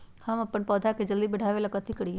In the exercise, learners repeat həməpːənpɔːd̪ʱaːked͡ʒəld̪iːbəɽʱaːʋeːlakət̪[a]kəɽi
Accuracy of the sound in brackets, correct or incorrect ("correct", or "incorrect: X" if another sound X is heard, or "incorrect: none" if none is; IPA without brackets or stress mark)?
incorrect: i